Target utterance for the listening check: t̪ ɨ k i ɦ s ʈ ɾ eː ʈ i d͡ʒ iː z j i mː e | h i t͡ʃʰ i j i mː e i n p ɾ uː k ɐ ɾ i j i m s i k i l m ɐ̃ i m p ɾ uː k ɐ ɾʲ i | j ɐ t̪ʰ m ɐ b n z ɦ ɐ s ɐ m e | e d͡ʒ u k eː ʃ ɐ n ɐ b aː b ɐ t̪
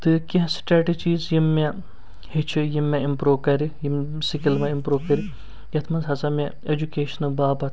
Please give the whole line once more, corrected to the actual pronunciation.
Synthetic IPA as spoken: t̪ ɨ k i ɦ s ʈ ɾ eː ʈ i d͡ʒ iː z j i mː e | h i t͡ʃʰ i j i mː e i m p ɾ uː k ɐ ɾ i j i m s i k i l m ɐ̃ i m p ɾ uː k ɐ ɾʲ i | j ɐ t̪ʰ m ɐ n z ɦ ɐ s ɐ m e | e d͡ʒ u k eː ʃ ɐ n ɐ b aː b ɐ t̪